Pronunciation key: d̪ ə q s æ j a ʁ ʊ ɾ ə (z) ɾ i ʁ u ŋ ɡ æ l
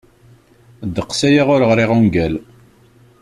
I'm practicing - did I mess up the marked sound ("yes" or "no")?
yes